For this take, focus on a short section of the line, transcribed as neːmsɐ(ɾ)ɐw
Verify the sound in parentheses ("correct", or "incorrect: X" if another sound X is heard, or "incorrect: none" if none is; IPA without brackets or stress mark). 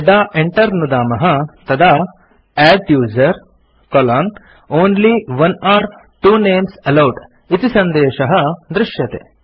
incorrect: l